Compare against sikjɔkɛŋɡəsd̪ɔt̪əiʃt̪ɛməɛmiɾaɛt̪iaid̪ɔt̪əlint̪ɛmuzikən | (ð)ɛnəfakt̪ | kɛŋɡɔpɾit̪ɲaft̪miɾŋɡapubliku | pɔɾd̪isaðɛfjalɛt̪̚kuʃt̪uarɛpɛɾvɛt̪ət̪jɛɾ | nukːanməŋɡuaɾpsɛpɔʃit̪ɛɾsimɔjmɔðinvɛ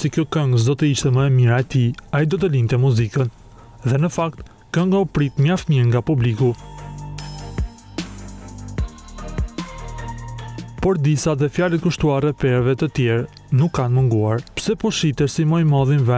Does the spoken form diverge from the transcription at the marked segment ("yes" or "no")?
no